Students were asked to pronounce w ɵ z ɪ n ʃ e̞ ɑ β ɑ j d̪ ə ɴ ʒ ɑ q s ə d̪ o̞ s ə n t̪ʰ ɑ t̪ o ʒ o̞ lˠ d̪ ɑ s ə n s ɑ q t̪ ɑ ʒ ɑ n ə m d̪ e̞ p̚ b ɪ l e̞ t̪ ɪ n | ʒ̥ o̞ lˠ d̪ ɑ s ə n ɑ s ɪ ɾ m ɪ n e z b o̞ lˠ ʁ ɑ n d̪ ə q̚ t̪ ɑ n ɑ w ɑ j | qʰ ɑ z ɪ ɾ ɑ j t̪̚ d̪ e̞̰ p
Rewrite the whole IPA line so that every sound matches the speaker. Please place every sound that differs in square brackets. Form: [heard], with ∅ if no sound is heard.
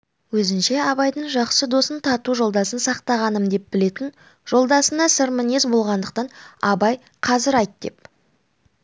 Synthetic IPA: w ɵ z ɪ n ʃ e̞ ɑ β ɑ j d̪ ə ɴ ʒ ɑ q s ə d̪ o̞ s ə n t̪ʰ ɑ t̪ [u] ʒ o̞ lˠ d̪ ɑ s ə n s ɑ q t̪ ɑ [ʁ] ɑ n ə m d̪ e̞ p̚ b ɪ l e̞ t̪ ɪ n | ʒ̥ o̞ lˠ d̪ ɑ s ə n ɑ s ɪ ɾ m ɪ n e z b o̞ lˠ ʁ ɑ n d̪ ə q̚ t̪ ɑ n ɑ [b] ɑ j | qʰ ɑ z ɪ ɾ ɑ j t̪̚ d̪ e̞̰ p